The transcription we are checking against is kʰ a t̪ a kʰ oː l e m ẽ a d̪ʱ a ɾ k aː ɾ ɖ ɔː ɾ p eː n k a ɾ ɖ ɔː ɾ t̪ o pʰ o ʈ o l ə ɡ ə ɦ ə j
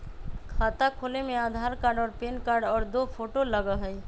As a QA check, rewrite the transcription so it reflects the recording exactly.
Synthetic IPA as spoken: kʰ a t̪ a kʰ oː l e m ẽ a d̪ʱ a ɾ k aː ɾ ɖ ɔː ɾ p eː n k a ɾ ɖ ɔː ɾ d̪ o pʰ o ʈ o l ə ɡ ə ɦ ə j